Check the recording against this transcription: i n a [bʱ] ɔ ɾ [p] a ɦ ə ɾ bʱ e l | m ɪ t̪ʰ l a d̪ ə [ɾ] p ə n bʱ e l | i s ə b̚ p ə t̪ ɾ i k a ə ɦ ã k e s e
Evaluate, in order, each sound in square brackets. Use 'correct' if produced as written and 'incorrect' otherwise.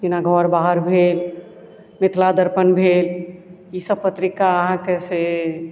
incorrect, incorrect, correct

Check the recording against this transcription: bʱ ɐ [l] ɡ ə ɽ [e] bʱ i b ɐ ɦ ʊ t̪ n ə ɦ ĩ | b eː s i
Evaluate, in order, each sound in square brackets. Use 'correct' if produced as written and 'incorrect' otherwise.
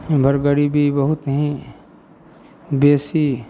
incorrect, incorrect

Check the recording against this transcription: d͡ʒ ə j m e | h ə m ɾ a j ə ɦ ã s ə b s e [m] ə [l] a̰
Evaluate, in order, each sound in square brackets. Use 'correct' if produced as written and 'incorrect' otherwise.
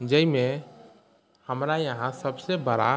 incorrect, incorrect

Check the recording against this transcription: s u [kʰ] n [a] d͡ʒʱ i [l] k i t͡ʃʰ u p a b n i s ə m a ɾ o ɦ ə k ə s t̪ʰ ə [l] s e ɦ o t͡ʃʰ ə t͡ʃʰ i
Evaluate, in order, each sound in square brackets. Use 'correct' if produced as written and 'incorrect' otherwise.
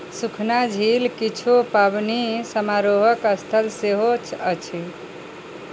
correct, correct, correct, correct

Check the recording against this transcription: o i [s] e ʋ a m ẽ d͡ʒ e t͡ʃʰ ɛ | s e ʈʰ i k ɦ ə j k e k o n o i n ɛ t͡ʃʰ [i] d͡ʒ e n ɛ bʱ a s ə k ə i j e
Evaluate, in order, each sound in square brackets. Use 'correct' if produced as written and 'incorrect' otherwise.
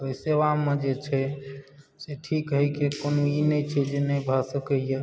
correct, incorrect

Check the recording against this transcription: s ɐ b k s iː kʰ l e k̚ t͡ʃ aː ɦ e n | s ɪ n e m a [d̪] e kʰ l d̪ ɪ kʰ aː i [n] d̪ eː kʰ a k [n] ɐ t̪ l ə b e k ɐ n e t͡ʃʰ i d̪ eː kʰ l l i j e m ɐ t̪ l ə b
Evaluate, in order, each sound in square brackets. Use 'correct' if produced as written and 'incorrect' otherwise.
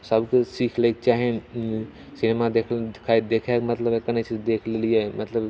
correct, incorrect, incorrect

